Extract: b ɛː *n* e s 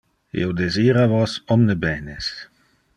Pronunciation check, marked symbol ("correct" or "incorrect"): correct